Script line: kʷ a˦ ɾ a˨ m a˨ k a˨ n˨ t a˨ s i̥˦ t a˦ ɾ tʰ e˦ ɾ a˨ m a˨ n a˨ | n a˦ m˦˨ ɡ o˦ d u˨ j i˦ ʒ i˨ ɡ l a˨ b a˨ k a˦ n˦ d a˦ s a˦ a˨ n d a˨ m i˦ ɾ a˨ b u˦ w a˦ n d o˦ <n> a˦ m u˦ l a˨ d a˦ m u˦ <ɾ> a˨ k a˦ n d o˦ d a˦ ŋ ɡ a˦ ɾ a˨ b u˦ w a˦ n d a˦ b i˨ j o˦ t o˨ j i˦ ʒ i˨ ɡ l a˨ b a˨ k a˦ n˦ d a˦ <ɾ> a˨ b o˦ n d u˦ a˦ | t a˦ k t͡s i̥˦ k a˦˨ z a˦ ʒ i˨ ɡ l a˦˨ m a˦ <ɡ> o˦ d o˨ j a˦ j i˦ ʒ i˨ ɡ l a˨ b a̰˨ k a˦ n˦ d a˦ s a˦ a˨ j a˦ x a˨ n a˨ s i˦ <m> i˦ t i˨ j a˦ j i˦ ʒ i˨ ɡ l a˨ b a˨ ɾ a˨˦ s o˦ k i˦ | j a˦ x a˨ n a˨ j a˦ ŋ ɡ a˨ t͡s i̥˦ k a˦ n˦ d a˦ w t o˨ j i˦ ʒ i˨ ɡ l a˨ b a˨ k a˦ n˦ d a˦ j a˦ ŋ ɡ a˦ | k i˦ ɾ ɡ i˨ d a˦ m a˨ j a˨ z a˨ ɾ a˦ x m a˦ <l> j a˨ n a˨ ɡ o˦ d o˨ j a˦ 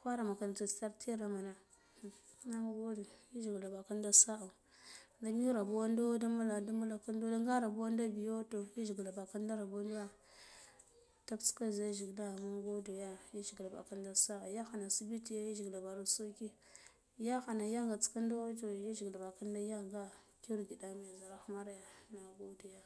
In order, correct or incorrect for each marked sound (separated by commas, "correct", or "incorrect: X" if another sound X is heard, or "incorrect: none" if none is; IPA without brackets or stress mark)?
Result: incorrect: d, incorrect: l, correct, correct, incorrect: b, incorrect: ɾ